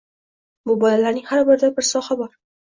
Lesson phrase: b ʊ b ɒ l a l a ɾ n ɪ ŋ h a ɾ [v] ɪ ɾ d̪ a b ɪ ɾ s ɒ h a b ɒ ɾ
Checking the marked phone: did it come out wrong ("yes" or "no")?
yes